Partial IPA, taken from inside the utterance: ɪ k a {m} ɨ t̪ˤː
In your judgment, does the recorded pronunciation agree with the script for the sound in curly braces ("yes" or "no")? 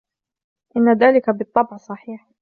no